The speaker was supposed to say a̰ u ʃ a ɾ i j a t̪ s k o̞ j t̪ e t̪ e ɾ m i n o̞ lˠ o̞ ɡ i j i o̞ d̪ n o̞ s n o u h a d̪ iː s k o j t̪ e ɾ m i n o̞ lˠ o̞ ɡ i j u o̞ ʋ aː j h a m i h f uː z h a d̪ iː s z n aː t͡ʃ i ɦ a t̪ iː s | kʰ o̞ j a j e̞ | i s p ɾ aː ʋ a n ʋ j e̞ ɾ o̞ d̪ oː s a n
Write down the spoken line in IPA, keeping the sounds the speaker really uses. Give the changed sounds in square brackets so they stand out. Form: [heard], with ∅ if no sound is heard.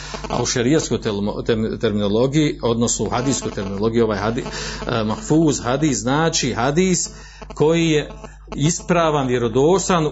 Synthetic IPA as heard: a̰ u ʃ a ɾ i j a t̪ s k o̞ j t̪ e t̪ e ɾ m i n o̞ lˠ o̞ ɡ i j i o̞ d̪ n o̞ s n o u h a d̪ iː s k o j t̪ e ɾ m i n o̞ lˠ o̞ ɡ i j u o̞ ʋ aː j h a m [a] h f uː z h a d̪ iː s z n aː t͡ʃ i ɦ a [d̪] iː s | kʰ o̞ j [i] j e̞ | i s p ɾ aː ʋ a n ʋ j e̞ ɾ o̞ d̪ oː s a n